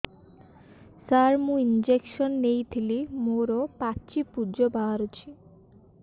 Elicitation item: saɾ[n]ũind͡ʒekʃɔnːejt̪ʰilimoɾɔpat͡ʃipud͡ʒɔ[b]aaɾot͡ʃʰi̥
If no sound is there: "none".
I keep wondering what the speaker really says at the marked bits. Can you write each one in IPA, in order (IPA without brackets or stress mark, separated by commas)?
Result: m, b